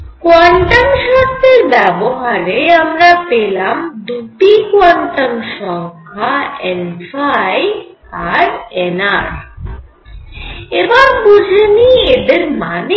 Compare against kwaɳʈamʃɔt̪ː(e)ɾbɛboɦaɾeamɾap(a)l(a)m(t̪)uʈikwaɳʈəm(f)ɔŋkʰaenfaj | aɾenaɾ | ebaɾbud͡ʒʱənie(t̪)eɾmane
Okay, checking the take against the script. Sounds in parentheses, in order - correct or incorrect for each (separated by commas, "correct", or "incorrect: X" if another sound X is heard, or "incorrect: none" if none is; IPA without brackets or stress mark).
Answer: correct, incorrect: e, correct, incorrect: d̪, incorrect: ʃ, incorrect: d̪